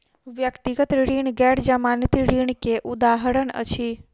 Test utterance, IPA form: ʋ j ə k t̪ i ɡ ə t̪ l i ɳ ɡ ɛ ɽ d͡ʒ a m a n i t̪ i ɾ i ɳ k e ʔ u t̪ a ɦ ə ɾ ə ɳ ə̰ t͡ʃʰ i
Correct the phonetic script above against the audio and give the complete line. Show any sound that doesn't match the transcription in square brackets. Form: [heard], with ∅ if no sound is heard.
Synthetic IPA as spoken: ʋ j ə k t̪ i ɡ ə t̪ [ɾ] i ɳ ɡ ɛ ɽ d͡ʒ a m a n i t̪ i ɾ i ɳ k e ʔ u [d̪] a ɦ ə ɾ ə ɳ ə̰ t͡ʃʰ i